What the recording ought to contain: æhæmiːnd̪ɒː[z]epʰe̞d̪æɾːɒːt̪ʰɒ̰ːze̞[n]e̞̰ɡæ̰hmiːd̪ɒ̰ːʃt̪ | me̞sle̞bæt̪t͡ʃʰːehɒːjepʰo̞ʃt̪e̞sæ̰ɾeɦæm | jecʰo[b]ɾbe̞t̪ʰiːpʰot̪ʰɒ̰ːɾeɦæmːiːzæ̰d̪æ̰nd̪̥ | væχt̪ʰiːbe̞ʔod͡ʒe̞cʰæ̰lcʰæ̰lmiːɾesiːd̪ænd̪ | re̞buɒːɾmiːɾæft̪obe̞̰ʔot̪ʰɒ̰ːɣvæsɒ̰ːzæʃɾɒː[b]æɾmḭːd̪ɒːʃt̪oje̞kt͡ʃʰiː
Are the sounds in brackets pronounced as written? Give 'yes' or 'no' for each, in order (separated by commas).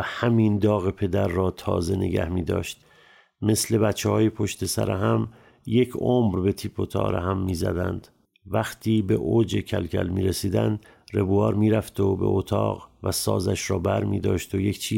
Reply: no, yes, no, yes